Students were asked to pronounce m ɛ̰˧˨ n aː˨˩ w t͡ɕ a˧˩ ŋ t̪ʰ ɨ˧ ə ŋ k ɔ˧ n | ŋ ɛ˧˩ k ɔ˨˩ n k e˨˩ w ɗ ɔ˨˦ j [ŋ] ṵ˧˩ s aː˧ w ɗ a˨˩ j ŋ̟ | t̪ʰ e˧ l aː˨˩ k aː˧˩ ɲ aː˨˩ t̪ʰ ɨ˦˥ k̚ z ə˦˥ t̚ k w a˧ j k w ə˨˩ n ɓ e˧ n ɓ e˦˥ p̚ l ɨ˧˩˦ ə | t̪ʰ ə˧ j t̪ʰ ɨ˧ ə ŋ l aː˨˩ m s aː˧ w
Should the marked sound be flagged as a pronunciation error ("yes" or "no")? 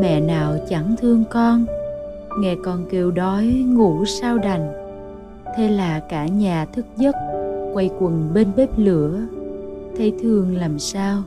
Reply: no